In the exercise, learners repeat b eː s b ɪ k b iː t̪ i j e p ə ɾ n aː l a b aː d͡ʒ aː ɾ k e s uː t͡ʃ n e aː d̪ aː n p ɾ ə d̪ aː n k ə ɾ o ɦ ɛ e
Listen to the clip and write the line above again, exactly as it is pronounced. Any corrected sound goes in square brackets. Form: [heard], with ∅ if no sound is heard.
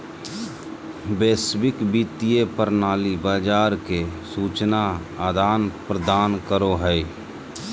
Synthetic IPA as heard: b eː s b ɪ k b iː t̪ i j e p ə ɾ n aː l [i] b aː d͡ʒ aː ɾ k e s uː t͡ʃ n [a] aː d̪ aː n p ɾ ə d̪ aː n k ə ɾ o ɦ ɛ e